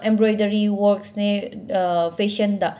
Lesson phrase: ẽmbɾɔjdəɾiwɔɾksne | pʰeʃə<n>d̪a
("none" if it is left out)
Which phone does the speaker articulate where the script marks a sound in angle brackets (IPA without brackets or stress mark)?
n